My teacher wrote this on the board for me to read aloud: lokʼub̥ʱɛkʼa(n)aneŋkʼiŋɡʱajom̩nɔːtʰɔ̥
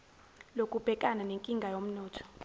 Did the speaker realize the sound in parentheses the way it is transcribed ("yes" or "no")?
yes